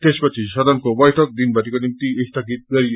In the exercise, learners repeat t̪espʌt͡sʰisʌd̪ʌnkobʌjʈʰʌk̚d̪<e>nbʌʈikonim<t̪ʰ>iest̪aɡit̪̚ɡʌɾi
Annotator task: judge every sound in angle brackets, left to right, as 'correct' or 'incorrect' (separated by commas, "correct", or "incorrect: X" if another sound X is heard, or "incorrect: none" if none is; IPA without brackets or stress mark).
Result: incorrect: i, incorrect: t̪